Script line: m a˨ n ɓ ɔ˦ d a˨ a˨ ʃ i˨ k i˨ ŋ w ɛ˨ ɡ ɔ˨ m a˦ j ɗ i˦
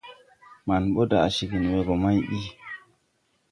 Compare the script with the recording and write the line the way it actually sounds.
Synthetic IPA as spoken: m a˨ n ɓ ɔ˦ d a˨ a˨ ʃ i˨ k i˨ n w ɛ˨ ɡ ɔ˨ m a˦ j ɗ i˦